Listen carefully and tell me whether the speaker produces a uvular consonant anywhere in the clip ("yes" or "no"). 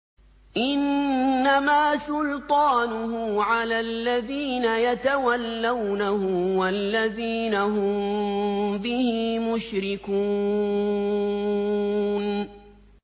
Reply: no